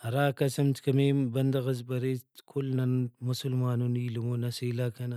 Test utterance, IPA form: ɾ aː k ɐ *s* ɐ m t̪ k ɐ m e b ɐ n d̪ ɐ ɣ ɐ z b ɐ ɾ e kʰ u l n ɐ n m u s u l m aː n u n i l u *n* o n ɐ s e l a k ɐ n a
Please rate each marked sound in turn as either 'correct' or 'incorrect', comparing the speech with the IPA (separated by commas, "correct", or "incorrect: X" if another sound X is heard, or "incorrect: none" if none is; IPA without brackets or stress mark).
correct, incorrect: m